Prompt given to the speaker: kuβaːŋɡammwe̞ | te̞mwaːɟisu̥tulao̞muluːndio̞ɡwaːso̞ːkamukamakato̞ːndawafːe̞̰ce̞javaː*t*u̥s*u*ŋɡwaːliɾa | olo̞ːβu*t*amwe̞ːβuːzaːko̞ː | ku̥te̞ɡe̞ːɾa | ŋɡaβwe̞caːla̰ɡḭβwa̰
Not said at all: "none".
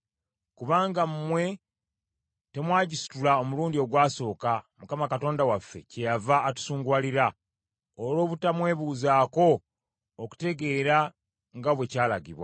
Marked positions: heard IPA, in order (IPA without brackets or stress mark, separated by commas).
t, uː, t